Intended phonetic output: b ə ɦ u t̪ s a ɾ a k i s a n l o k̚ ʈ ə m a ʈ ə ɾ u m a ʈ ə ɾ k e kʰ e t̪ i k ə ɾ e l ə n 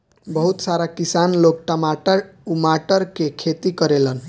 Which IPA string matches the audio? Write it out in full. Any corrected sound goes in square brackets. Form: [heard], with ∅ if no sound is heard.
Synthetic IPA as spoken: b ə ɦ u t̪ s a ɾ a k i s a n l o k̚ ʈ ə m a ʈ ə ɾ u m a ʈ ə ɾ k e kʰ e t̪ i k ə ɾ e l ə n